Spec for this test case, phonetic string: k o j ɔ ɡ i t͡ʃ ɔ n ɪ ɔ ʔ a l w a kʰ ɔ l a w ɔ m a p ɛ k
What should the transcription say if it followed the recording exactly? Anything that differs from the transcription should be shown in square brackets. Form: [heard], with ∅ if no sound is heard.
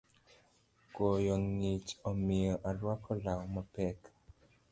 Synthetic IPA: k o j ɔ [ŋ] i t͡ʃ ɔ [m] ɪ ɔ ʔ a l w a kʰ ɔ l a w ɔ m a p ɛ k